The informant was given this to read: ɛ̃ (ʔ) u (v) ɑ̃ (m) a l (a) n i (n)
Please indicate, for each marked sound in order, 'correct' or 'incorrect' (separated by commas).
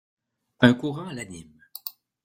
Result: incorrect, incorrect, incorrect, correct, incorrect